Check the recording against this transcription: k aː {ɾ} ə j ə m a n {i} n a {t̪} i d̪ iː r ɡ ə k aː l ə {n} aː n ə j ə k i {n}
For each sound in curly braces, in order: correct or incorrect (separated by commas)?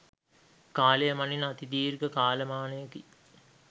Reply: incorrect, correct, correct, incorrect, incorrect